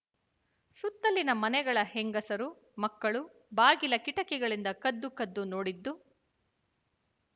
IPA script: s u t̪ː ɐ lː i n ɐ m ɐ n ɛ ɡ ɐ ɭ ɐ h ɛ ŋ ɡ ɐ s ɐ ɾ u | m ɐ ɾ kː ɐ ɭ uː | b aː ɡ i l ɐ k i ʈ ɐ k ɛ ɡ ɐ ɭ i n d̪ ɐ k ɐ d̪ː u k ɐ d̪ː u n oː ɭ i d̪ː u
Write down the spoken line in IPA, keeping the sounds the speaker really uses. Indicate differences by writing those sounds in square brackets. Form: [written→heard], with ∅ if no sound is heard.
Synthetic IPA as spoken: s u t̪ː ɐ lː i n ɐ m ɐ n ɛ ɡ ɐ ɭ ɐ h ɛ ŋ ɡ ɐ s ɐ ɾ u | m ɐ [ɾ→∅] kː ɐ ɭ [uː→u] | b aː ɡ i l ɐ k i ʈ ɐ k ɛ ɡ ɐ ɭ i n d̪ ɐ k ɐ d̪ː u k ɐ d̪ː u n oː [ɭ→ɽ] i d̪ː u